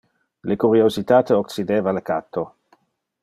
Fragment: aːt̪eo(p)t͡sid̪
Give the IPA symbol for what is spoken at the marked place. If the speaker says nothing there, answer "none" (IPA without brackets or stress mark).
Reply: k